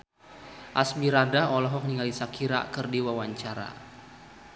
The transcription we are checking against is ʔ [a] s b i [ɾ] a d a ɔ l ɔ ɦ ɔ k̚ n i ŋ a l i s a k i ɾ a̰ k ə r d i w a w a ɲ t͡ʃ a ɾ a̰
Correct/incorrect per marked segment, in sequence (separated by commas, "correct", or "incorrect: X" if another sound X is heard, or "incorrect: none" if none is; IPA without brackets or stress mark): correct, correct